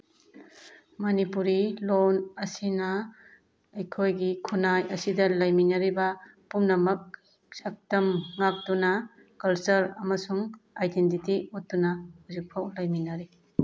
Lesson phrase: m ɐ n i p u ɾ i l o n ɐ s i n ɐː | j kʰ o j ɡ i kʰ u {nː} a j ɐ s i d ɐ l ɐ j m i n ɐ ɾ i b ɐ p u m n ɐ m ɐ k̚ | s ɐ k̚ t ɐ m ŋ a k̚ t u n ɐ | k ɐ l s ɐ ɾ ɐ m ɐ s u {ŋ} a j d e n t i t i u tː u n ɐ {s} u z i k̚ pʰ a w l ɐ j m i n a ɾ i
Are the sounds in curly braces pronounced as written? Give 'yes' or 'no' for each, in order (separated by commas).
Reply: no, yes, no